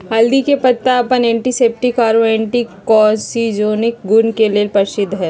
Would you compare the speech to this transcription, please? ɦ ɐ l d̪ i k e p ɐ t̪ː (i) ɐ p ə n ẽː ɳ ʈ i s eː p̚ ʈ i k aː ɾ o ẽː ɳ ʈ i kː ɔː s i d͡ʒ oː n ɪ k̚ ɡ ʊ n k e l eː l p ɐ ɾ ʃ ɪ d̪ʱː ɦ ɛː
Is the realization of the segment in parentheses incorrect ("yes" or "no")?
yes